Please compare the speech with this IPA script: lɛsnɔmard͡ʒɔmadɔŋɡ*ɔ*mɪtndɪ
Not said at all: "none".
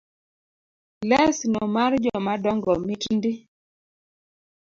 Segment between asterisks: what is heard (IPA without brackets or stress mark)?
ɔ